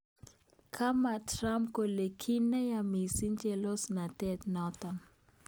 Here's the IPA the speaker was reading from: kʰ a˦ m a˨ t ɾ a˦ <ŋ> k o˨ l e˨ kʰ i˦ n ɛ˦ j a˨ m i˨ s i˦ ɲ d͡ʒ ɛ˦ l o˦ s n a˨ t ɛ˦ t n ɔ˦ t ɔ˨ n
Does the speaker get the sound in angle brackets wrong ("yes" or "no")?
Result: yes